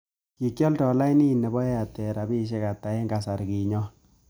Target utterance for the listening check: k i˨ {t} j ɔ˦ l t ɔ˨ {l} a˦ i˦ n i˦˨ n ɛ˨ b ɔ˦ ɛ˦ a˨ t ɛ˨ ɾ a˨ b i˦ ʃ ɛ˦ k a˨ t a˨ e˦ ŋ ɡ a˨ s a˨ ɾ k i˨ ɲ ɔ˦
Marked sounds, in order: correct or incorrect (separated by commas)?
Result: incorrect, correct